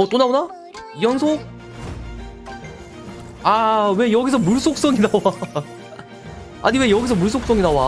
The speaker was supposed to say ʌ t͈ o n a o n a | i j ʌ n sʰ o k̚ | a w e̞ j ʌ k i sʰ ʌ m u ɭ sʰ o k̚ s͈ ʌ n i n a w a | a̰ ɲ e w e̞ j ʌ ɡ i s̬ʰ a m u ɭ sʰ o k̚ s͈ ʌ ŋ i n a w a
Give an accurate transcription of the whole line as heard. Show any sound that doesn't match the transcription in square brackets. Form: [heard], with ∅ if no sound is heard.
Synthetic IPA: ʌ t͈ o n a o n a | i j ʌ n sʰ o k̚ | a w e̞ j ʌ [ɡ] i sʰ ʌ m u ɭ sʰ o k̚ s͈ ʌ [ŋ] i n a w a | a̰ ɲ [i] w e̞ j ʌ ɡ i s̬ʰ [ʌ] m u ɭ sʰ o k̚ s͈ ʌ ŋ i n a w a